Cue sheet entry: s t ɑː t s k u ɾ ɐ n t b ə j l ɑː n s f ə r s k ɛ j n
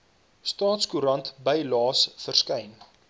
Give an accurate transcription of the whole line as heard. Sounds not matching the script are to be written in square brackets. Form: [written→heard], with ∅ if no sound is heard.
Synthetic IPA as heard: s t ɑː t s k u ɾ ɐ n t b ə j l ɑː [n→∅] s f ə r s k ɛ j n